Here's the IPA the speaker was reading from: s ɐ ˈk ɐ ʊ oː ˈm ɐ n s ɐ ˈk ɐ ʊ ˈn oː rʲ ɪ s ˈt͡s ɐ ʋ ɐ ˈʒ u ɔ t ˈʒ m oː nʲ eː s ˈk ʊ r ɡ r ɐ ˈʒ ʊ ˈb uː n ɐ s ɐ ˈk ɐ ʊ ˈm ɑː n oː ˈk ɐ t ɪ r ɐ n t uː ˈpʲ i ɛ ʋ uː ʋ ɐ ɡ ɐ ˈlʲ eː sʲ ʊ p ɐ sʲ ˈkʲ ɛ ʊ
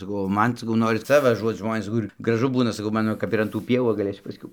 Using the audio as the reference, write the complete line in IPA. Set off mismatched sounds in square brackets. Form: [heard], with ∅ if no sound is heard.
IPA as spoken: s ɐ ˈk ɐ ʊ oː ˈm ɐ n s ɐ ˈk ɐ ʊ ˈn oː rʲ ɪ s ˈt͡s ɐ ʋ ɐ ˈʒ u ɔ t ˈʒ m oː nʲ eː s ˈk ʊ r ɡ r ɐ ˈʒ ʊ ˈb uː n ɐ s ɐ ˈk ɐ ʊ ˈm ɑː n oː ˈk ɐ [p] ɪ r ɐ n t uː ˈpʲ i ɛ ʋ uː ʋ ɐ ɡ ɐ ˈlʲ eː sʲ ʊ p ɐ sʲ ˈkʲ ɛ ʊ